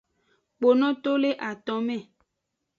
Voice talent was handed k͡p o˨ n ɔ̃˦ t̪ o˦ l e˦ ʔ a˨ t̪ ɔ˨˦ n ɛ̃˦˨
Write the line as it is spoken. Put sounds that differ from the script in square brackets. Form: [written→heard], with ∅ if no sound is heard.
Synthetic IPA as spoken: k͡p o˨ n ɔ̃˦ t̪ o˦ l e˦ ʔ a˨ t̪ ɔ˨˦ [n→m] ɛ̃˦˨

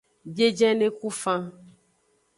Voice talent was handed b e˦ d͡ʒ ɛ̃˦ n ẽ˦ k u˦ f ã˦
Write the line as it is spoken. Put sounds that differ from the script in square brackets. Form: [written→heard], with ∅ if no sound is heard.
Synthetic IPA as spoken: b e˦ d͡ʒ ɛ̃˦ n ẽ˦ k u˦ f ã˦

